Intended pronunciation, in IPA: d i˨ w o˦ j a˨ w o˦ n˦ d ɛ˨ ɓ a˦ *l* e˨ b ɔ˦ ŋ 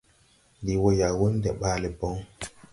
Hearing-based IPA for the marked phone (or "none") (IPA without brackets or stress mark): l